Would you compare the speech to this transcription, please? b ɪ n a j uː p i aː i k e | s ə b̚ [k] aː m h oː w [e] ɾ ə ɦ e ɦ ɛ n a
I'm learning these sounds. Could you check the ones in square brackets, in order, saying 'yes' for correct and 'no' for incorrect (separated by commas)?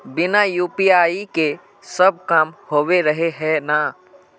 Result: yes, yes